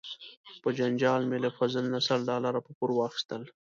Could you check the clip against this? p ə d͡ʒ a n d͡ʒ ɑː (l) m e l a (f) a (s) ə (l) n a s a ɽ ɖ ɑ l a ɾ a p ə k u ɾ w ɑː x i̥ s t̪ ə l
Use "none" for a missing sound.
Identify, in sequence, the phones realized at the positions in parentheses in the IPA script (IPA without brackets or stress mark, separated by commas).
l, f, z, l